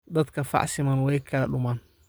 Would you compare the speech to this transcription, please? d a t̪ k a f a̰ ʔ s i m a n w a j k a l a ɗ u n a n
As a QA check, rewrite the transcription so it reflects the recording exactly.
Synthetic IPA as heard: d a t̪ k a f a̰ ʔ s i m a n w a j k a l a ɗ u m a n